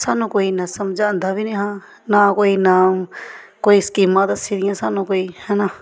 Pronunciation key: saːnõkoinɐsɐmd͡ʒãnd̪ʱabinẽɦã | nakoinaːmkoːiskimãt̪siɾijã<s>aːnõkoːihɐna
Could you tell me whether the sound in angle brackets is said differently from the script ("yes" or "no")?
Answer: no